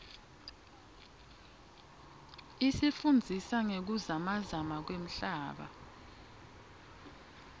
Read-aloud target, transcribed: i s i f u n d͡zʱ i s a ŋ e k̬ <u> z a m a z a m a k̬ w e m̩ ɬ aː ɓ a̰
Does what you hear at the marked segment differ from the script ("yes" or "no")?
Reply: no